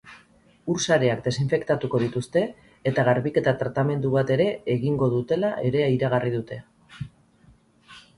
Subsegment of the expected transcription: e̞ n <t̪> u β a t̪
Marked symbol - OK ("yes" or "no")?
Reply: no